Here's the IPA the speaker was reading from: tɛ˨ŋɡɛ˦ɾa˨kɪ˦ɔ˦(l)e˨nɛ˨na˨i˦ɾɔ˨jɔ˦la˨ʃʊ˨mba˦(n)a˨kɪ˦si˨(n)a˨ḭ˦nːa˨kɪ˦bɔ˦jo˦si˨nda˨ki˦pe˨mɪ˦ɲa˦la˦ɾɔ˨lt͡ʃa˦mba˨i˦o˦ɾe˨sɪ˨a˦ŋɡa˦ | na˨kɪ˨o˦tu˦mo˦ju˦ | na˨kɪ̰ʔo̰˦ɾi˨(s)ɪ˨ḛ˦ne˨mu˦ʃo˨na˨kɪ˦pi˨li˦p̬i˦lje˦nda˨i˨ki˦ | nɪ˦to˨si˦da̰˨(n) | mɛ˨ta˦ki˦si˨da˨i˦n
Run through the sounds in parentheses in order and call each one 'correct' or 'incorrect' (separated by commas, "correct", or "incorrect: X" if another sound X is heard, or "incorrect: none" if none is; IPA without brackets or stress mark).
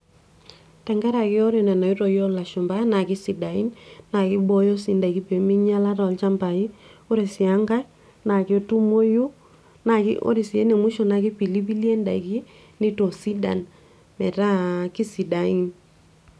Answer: incorrect: ɾ, correct, incorrect: d, correct, correct